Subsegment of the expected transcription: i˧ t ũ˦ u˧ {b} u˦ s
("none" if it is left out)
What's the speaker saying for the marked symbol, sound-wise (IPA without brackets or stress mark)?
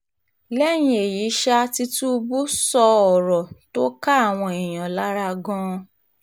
b